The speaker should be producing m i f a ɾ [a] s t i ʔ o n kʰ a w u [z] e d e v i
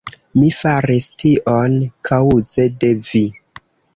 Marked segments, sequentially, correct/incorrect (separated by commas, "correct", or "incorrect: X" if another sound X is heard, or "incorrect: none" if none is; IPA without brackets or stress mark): incorrect: i, correct